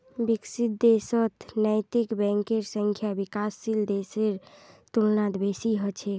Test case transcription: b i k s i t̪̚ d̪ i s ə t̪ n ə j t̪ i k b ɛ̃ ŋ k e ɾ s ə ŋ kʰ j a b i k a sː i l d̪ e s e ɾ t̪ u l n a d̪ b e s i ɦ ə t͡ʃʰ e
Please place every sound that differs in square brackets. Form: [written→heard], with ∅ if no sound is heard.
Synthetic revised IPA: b i k s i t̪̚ d̪ [i→e] s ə t̪ n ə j t̪ i k b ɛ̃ ŋ k e ɾ s ə ŋ kʰ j a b i k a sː i l d̪ e s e ɾ t̪ u l n a d̪ b e s i ɦ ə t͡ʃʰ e